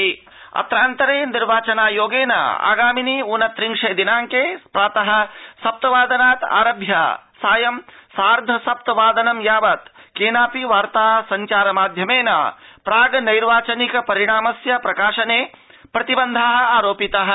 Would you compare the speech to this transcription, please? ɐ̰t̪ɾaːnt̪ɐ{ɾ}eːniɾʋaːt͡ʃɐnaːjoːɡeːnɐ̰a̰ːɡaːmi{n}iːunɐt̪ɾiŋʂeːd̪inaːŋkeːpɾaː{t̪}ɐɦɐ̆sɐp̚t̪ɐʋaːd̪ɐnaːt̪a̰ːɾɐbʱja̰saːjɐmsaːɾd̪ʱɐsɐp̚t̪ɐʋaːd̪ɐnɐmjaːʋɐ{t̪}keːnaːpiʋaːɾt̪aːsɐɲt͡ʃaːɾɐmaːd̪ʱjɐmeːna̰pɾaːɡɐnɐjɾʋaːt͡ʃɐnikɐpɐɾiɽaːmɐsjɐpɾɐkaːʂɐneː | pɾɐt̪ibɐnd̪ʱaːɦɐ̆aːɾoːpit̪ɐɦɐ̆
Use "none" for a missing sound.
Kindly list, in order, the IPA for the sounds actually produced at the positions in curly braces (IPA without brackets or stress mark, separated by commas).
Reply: ɾ, n, t̪, t̪